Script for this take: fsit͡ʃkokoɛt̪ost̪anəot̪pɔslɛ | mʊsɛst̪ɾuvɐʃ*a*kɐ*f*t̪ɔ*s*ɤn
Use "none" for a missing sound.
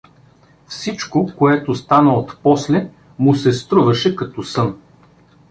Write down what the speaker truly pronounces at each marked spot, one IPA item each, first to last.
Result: ɛ, none, s

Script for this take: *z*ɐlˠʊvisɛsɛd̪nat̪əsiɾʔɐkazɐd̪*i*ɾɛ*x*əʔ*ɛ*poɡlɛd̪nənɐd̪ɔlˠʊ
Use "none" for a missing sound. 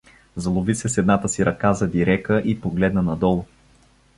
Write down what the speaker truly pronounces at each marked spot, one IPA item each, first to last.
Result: z, i, k, i

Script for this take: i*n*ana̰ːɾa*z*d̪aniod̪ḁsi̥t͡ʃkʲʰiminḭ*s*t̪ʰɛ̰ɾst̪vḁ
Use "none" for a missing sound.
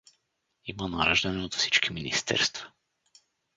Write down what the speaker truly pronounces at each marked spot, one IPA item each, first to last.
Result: m, ʒ, s

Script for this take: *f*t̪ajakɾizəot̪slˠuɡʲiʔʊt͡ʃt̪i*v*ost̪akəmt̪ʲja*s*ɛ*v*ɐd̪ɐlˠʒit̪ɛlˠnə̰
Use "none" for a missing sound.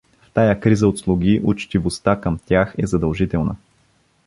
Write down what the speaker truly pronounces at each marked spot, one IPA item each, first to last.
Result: f, v, x, z

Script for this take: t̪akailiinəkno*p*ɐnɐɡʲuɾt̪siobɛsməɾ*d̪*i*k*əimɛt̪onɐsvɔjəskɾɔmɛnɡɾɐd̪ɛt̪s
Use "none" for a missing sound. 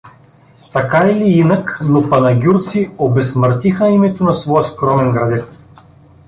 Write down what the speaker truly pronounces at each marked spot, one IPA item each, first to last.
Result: p, t̪, x

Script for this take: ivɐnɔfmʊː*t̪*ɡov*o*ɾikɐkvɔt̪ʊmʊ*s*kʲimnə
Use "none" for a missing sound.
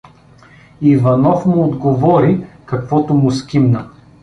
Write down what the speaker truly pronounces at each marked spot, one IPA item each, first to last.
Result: d̪, ɔ, s

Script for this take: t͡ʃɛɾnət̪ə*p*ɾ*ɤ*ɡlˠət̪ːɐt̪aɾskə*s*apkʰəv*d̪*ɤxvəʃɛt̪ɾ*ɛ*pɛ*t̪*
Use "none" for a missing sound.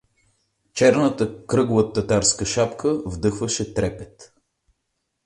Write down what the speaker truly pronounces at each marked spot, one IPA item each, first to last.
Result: k, ɤ, ʃ, d̪, ɛ, t̪

